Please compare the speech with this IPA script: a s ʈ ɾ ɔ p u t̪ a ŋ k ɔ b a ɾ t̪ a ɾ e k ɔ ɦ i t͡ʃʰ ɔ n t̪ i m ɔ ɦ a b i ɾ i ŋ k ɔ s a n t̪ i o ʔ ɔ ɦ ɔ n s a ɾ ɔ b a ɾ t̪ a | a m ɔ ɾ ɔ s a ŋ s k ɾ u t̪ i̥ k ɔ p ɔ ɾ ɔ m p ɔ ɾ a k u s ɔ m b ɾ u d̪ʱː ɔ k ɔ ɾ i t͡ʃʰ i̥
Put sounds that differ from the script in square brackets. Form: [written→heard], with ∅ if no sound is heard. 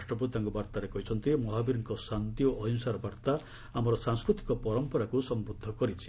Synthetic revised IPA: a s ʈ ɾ ɔ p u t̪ a ŋ k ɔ b a ɾ t̪ a ɾ e k ɔ ɦ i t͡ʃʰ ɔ n t̪ i m ɔ ɦ a b i ɾ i ŋ k ɔ s a n t̪ i o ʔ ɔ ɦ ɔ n s a ɾ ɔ b a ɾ t̪ a | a m ɔ ɾ ɔ s a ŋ s k ɾ u t̪ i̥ k ɔ p ɔ ɾ ɔ m p ɔ ɾ a k u s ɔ m b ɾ u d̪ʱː ɔ k ɔ ɾ i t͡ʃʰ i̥